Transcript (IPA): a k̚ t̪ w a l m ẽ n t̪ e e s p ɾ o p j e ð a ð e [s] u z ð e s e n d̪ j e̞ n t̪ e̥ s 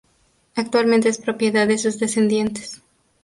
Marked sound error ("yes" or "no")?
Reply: no